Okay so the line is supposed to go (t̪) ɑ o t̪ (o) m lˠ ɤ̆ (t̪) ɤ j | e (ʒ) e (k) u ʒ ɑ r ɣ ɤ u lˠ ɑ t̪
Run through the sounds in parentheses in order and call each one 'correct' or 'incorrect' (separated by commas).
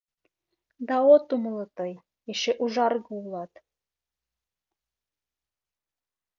incorrect, incorrect, correct, incorrect, incorrect